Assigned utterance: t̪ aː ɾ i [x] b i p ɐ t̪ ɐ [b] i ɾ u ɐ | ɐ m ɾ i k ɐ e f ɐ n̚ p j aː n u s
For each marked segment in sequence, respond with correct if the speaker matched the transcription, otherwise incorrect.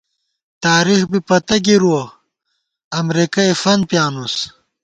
correct, incorrect: ɡ

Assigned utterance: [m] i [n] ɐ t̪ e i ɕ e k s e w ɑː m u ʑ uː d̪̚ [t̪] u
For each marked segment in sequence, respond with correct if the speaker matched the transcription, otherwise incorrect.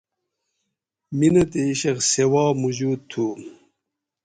correct, correct, incorrect: t̪ʰ

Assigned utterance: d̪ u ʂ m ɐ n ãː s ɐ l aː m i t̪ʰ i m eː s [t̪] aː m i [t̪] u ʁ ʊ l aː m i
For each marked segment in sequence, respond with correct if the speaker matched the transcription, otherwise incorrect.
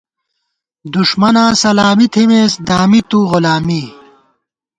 incorrect: d̪, correct

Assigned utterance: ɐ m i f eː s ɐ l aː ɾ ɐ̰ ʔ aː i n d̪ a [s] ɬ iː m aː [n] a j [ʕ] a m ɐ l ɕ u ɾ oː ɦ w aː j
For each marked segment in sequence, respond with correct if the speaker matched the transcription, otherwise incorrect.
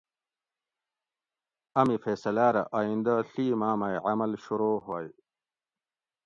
incorrect: none, incorrect: m, correct

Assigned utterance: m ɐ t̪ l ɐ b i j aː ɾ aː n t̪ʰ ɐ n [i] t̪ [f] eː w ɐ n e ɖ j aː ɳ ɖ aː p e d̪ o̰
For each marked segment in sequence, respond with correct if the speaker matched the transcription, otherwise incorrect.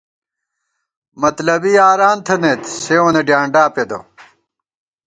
incorrect: e, incorrect: s

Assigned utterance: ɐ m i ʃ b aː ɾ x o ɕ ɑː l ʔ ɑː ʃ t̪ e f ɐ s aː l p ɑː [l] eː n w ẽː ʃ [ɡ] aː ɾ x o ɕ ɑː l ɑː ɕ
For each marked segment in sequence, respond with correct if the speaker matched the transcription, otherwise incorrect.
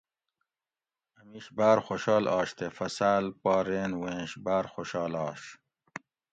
incorrect: ɾ, incorrect: b

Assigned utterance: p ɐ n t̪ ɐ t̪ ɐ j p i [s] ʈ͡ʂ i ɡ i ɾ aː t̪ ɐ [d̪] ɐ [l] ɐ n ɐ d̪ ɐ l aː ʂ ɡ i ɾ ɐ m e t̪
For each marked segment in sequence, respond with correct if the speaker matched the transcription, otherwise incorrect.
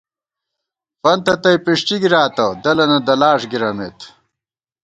incorrect: ʂ, correct, correct

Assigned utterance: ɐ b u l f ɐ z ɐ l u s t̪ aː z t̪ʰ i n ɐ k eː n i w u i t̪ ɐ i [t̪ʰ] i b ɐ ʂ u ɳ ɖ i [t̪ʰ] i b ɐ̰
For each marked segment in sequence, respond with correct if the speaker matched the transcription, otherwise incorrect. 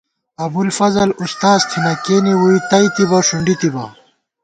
incorrect: t̪, incorrect: t̪

